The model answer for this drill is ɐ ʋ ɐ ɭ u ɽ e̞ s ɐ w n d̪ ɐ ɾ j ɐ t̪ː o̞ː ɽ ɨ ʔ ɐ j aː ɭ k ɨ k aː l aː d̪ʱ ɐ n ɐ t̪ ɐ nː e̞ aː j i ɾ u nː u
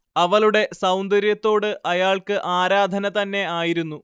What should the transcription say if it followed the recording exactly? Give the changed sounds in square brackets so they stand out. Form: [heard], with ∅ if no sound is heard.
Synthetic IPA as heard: ɐ ʋ ɐ ɭ u ɽ e̞ s ɐ w n d̪ ɐ ɾ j ɐ t̪ː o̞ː ɽ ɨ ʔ ɐ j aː ɭ k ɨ [ʔ] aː [ɾ] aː d̪ʱ ɐ n ɐ t̪ ɐ nː e̞ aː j i ɾ u nː u